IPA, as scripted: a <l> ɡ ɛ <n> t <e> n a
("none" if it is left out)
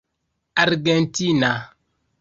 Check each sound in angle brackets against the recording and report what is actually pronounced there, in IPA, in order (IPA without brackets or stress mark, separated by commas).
ɾ, n, i